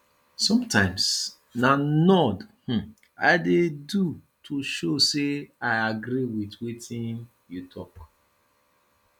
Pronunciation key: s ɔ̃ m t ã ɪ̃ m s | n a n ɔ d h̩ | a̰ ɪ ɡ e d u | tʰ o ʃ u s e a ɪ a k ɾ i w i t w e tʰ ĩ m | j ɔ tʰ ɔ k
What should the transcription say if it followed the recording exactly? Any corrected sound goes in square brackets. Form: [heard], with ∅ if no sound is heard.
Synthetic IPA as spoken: s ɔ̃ m t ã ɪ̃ m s | n a n ɔ d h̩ | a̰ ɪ [d] e d u | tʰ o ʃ [o] s e a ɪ a [ɡ] ɾ i w i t w e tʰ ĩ [n] | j [u] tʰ ɔ k